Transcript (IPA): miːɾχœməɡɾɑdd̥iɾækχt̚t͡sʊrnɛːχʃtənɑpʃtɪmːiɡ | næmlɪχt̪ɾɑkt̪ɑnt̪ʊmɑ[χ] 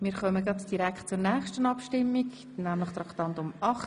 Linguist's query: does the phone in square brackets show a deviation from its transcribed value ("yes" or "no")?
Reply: no